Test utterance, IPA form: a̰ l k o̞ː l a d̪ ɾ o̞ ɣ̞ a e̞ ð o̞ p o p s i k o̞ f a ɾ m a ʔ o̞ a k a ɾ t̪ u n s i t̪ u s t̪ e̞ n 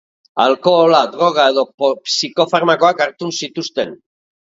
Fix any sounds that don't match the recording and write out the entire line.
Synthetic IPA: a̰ l k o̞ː l a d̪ ɾ o̞ ɣ̞ a e̞ ð o̞ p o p s i k o̞ f a ɾ m a k o̞ a k a ɾ t̪ u n s i t̪ u s t̪ e̞ n